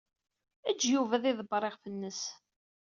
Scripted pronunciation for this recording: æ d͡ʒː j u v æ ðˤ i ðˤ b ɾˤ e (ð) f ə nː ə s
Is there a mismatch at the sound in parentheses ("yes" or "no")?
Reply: yes